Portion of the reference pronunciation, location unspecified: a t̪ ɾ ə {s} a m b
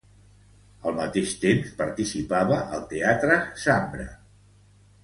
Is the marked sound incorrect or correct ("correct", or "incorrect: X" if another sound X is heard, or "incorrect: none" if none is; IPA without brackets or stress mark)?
correct